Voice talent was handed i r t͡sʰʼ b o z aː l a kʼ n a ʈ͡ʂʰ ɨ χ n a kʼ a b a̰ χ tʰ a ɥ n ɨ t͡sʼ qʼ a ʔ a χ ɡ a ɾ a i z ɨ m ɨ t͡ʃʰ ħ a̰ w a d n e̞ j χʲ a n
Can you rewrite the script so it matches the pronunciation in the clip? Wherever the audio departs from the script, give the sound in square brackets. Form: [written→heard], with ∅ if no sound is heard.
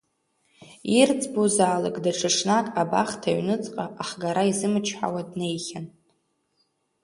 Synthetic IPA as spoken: i r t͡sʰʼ b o z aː l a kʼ [n→d] a ʈ͡ʂʰ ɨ [χ→ʂ] n a kʼ a b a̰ χ tʰ a ɥ n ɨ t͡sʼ qʼ a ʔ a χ ɡ a ɾ a i z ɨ m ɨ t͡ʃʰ ħ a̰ w a d n e̞ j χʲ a n

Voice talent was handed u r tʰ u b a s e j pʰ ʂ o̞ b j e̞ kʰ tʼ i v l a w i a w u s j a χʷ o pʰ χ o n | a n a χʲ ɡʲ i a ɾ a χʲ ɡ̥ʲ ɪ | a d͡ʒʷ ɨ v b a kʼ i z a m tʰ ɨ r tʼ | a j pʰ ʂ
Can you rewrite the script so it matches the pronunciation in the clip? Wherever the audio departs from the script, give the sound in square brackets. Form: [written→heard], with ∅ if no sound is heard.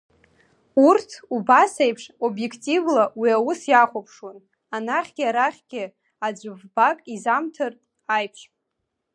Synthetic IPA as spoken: u r tʰ u b a s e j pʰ ʂ o̞ b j e̞ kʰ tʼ i v l a w i a w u s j a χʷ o pʰ [χ→ʂ] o n | a n a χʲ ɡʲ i a ɾ a χʲ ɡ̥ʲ ɪ | a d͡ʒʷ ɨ v b a kʼ i z a m tʰ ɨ r tʼ | a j pʰ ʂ

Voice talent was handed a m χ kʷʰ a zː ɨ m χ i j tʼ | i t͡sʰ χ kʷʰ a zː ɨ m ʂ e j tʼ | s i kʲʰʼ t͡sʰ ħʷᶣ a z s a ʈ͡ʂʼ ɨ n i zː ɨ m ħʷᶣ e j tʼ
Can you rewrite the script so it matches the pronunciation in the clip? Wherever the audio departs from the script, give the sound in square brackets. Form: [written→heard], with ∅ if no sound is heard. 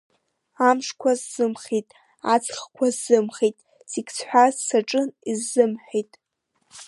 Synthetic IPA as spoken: a m [χ→ʂ] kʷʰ a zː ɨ m χ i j tʼ | [i→a] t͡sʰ χ kʷʰ a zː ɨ m [ʂ→χ] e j tʼ | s i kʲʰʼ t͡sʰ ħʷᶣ a z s a ʈ͡ʂʼ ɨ n i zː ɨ m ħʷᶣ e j tʼ

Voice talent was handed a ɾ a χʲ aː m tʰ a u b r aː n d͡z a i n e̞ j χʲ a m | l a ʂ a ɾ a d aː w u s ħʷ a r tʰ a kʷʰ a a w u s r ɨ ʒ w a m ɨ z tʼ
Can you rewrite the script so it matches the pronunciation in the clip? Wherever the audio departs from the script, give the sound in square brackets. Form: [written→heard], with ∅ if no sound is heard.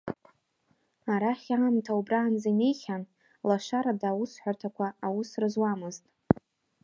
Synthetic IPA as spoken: a ɾ a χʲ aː m tʰ a u b r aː n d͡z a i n e̞ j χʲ a [m→n] | l a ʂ a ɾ a d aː w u s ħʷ a r tʰ a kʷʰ a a w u s r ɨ [ʒ→z] w a m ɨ z tʼ

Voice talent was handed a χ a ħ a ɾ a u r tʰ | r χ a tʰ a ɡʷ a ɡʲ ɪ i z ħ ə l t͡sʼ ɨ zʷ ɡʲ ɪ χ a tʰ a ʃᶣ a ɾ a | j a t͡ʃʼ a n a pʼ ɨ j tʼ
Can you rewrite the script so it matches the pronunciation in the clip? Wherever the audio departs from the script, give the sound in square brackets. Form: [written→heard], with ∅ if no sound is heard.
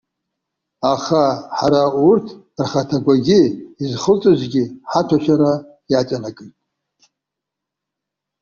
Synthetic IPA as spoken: a χ a ħ a ɾ a u r tʰ | r χ a tʰ a ɡʷ a ɡʲ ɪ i z [ħ→χ] ə l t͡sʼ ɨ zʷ ɡʲ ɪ [χ→ħ] a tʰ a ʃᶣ a ɾ a | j a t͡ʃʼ a n a [pʼ→kʼ] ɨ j tʼ

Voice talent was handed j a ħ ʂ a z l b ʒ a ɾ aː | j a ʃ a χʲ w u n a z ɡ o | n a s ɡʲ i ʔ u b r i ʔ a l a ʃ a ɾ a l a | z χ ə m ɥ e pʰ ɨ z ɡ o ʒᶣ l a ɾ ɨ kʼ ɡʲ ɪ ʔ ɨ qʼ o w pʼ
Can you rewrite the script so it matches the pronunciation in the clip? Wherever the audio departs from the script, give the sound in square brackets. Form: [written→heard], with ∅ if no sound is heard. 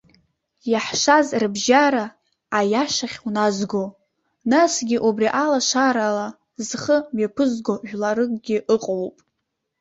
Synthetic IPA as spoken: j a ħ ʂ a z [l→r] b ʒ a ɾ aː | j a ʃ a χʲ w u n a z ɡ o | n a s ɡʲ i ʔ u b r i ʔ a l a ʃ a ɾ a l a | z χ ə m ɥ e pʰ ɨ z ɡ o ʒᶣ l a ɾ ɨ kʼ ɡʲ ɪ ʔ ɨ qʼ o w pʼ

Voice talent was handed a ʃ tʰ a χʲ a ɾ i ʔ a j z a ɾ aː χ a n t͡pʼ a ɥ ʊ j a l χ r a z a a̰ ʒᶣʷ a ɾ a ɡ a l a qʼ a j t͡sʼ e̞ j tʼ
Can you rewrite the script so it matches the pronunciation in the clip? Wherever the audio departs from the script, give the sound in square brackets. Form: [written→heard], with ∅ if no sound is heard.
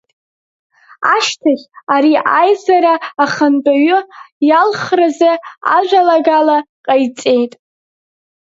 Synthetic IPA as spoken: a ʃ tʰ a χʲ a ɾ i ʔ a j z a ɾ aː χ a n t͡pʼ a ɥ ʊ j a l χ r a z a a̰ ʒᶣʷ a [ɾ→l] a ɡ a l a qʼ a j t͡sʼ e̞ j tʼ

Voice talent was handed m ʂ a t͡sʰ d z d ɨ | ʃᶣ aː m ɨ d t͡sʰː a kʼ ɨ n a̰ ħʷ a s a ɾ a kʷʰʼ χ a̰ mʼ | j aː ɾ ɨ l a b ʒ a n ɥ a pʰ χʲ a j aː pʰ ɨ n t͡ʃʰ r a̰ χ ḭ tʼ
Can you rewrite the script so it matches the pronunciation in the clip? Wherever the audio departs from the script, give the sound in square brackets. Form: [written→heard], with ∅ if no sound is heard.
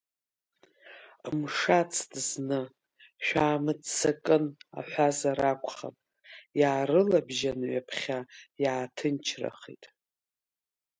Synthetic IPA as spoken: m ʂ a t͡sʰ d z [d→n] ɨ | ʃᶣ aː m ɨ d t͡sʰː a kʼ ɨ n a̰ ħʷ a [s→z] a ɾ a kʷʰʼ χ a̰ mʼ | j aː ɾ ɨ l a b ʒ a n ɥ a pʰ χʲ a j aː [pʰ→tʰ] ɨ n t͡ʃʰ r a̰ χ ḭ tʼ

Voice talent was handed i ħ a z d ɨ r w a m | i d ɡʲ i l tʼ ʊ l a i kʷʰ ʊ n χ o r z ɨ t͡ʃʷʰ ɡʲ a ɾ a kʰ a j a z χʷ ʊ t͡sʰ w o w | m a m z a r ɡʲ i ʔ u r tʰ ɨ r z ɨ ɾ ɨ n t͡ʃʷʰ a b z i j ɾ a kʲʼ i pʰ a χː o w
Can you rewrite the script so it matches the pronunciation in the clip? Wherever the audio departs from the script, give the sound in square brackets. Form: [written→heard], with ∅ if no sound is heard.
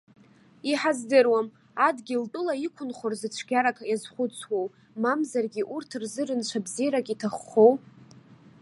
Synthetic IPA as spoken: i ħ a z d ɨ r w a m | [i→a] d ɡʲ i l tʼ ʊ l a i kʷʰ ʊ n χ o r z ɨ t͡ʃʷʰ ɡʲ a ɾ a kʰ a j a z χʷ ʊ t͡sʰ w o w | m a m z a r ɡʲ i ʔ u r tʰ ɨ r z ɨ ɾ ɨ n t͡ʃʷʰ a b z i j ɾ a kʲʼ i [pʰ→tʰ] a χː o w

